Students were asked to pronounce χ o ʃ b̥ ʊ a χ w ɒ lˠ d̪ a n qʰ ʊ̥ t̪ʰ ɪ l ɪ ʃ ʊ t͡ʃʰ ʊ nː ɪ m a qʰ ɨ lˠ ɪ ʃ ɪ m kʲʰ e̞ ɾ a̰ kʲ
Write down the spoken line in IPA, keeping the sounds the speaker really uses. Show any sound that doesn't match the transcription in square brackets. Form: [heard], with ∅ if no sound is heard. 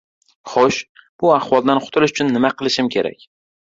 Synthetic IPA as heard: χ o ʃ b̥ ʊ a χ w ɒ lˠ d̪ a n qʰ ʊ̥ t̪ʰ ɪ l ɪ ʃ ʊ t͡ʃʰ ʊ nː ɪ m a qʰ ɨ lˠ ɪ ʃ ɪ m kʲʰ e̞ ɾ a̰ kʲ

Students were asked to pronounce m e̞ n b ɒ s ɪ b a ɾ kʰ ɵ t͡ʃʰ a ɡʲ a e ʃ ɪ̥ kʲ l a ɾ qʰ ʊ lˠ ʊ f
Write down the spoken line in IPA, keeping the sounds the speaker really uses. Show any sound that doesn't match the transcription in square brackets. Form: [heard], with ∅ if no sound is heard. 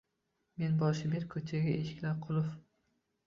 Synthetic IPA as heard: m e̞ n b ɒ [ʃ] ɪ b [e] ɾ kʰ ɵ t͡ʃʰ a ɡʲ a e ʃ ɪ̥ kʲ l a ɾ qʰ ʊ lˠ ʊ f

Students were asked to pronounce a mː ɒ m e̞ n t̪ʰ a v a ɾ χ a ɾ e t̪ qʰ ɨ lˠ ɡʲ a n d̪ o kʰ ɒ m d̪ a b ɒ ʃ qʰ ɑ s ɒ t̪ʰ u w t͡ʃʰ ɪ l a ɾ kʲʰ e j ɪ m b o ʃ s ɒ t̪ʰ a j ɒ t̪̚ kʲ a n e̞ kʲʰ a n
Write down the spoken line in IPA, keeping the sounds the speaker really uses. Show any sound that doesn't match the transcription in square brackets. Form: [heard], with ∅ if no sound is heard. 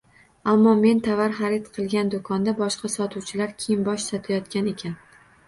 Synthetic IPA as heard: a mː ɒ m e̞ n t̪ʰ a v a ɾ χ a ɾ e t̪ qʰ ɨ lˠ ɡʲ a n d̪ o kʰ ɒ [n] d̪ a b ɒ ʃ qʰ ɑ s ɒ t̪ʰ u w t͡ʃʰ ɪ l a ɾ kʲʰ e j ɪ m b [ɒ] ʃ s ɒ t̪ʰ a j ɒ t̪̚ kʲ a n e̞ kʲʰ a n

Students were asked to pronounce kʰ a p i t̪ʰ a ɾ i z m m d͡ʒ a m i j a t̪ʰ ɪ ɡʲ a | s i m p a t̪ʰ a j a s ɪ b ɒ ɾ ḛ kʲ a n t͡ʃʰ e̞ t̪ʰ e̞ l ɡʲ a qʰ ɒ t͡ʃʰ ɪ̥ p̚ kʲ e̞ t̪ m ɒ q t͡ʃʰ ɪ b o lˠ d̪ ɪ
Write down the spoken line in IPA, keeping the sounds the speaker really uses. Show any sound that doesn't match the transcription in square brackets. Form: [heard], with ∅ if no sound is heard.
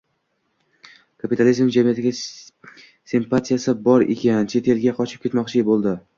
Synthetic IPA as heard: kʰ a p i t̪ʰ a [l] i z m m d͡ʒ a m i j a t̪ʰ ɪ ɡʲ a | s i m p a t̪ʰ [i] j a s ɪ b ɒ ɾ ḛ kʲ a n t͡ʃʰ e̞ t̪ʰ e̞ l ɡʲ a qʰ ɒ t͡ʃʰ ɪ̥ p̚ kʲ e̞ t̪ m ɒ q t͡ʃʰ ɪ b o lˠ d̪ ɪ

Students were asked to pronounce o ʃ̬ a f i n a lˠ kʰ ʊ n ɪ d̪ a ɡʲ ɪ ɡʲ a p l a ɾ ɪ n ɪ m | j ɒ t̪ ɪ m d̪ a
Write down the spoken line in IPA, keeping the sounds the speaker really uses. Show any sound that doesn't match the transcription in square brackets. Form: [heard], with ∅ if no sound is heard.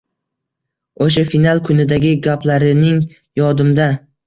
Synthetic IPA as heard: o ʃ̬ a f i n a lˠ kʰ ʊ n ɪ d̪ a ɡʲ ɪ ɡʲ a p l a ɾ ɪ n ɪ [ŋ] | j ɒ [d̪] ɪ m d̪ a

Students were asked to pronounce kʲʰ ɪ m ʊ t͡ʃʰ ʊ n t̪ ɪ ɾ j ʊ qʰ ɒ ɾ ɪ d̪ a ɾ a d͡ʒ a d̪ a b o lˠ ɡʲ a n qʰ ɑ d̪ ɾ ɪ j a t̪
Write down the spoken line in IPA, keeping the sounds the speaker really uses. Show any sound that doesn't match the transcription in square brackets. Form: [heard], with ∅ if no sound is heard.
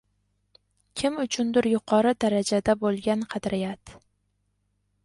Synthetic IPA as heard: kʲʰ ɪ m ʊ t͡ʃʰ ʊ n [d̪] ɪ ɾ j ʊ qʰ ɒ ɾ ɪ d̪ a ɾ a d͡ʒ a d̪ a b o lˠ ɡʲ a n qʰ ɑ d̪ ɾ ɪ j a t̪

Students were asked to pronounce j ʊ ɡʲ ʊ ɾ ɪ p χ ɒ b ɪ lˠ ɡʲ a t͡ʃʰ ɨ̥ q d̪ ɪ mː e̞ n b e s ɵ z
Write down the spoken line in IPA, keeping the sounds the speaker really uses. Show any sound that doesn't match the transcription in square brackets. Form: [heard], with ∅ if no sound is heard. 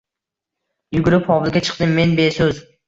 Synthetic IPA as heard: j ʊ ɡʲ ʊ ɾ ɪ p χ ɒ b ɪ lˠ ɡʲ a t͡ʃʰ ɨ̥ q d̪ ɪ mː e̞ n b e s ɵ z

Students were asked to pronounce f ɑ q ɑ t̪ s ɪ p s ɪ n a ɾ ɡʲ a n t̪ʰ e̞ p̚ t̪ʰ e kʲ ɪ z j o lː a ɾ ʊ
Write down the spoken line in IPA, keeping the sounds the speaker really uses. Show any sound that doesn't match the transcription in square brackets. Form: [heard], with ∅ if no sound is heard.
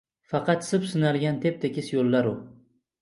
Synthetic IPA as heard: f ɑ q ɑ t̪ s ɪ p s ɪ n a [l] ɡʲ a n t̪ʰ e̞ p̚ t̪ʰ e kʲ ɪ [s] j o lː a ɾ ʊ

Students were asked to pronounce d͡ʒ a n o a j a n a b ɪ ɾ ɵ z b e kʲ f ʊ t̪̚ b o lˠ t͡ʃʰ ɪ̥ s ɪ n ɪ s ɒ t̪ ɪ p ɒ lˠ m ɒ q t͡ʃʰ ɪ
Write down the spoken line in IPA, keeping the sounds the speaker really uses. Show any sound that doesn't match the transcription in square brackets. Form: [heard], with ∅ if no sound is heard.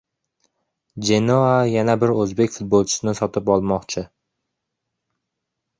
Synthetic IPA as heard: d͡ʒ [e] n o a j a n a b ɪ ɾ ɵ z b e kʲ f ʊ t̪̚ b o lˠ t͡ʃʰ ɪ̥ s ɪ n ɪ s ɒ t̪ ɪ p ɒ lˠ m ɒ q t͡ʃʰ ɪ

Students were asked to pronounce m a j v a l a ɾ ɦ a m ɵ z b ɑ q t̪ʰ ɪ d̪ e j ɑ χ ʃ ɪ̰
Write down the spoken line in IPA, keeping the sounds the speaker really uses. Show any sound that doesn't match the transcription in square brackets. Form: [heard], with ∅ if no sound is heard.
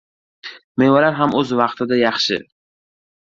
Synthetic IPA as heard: m [e] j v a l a ɾ ɦ a m ɵ z [v] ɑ q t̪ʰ ɪ d̪ [a] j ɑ χ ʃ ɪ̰

